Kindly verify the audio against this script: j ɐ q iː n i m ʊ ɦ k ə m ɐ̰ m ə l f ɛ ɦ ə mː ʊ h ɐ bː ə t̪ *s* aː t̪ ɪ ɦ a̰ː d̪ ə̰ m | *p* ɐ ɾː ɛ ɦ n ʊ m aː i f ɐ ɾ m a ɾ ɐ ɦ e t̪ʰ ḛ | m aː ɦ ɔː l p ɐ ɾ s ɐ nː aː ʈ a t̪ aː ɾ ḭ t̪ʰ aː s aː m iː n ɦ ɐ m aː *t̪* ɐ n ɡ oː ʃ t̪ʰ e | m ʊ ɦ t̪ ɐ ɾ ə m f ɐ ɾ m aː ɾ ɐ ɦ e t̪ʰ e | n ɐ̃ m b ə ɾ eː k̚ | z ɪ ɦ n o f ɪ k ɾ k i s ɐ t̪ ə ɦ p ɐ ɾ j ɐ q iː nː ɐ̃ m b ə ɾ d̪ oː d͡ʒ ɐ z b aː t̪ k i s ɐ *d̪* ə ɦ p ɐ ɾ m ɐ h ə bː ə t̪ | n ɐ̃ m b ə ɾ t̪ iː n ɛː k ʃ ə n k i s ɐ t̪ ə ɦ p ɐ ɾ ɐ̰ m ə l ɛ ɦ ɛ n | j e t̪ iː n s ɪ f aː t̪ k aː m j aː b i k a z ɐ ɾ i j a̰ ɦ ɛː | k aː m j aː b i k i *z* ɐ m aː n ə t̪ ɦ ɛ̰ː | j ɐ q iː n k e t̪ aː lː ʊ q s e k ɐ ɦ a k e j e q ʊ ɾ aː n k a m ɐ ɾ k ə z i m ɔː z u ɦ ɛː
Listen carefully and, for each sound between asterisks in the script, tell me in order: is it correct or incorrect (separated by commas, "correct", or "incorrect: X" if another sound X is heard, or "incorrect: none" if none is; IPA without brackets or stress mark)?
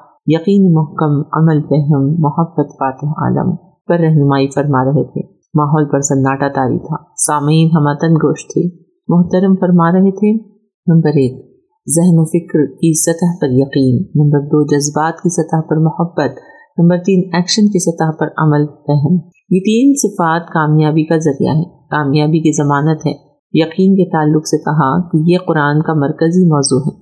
incorrect: f, correct, correct, incorrect: t̪, correct